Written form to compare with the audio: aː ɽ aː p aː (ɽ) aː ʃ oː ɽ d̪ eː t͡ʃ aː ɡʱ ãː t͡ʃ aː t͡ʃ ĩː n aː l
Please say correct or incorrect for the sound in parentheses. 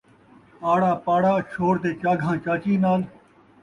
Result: correct